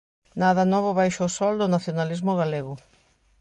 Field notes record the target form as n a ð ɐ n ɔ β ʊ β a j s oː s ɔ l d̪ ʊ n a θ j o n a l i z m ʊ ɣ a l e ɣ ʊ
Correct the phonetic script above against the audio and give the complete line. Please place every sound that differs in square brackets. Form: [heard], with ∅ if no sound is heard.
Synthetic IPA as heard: n a ð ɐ n ɔ β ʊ β a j [ʃ] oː s ɔ l d̪ ʊ n a θ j o n a l i z m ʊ ɣ a l e ɣ ʊ

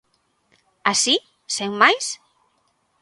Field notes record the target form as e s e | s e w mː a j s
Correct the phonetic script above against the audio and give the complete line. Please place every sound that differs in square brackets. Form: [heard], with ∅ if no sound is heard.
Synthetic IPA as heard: [a] s [i] | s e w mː a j s

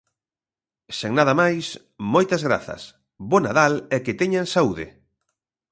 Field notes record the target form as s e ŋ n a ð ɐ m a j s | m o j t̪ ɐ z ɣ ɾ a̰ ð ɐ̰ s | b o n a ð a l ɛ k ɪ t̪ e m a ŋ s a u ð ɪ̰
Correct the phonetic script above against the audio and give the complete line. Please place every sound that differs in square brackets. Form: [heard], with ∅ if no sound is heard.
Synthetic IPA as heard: s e ŋ n a ð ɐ m a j s | m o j t̪ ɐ z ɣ ɾ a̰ [θ] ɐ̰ s | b o n a ð a l ɛ k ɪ t̪ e [ɲ] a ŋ s a u ð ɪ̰

